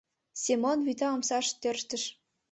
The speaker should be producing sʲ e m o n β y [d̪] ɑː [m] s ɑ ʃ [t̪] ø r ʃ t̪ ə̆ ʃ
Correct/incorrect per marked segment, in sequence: incorrect: t̪, correct, correct

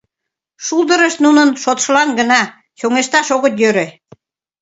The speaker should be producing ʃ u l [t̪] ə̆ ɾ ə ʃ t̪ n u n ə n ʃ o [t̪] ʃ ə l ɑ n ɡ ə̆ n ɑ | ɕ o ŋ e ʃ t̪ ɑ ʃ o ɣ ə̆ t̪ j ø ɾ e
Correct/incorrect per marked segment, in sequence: incorrect: d̪, correct

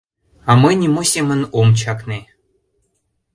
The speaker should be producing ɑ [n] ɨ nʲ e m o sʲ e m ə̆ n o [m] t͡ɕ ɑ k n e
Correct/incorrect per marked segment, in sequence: incorrect: m, correct

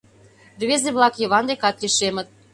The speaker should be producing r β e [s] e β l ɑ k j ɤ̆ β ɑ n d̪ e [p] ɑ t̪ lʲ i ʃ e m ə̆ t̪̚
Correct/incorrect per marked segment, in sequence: incorrect: z, incorrect: k

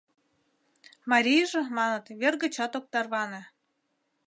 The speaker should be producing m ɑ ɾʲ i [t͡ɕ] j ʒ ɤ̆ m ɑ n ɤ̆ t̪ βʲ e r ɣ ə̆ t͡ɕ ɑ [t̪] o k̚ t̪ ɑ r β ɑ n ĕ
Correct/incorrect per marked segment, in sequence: incorrect: none, correct

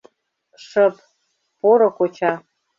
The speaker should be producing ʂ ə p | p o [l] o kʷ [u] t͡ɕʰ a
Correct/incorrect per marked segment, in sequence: incorrect: ɾ, incorrect: o

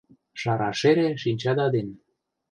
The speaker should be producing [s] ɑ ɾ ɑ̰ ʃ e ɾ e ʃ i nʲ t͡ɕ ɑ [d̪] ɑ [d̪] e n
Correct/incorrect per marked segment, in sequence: incorrect: ʃ, correct, correct

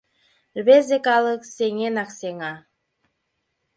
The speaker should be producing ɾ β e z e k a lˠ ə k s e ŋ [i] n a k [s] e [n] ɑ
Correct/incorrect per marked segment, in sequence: incorrect: e, correct, incorrect: ŋ

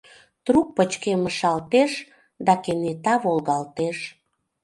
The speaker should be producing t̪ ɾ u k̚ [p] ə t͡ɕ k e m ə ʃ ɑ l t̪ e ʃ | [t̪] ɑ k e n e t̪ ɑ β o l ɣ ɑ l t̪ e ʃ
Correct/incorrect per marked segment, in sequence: correct, incorrect: d̪

